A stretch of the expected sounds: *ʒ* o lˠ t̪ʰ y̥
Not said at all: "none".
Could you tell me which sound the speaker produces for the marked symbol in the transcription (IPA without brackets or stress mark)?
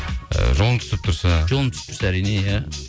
ʒ